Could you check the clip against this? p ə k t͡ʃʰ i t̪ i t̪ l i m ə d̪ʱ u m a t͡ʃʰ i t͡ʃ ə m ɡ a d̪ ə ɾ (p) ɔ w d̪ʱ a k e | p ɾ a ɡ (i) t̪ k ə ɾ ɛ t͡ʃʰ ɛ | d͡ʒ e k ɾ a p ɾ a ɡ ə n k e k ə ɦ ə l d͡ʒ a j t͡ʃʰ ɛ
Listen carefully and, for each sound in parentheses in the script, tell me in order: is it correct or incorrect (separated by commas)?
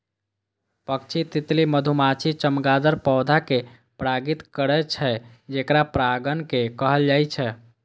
correct, correct